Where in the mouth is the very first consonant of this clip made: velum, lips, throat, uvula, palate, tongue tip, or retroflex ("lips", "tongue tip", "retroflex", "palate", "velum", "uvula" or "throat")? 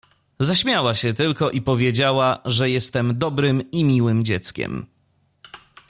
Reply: tongue tip